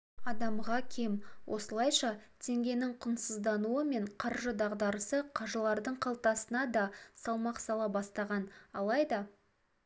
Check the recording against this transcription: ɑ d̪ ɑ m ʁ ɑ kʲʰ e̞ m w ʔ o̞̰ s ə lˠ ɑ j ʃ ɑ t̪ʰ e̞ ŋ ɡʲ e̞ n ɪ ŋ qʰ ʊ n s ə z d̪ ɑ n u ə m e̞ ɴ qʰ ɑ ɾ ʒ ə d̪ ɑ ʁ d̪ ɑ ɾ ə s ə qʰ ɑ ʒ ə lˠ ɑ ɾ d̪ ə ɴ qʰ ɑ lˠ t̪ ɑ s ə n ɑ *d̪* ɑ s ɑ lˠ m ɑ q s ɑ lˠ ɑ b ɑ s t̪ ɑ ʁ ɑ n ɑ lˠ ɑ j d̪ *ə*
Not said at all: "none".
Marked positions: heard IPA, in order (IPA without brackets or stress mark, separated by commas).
d̪, ɑ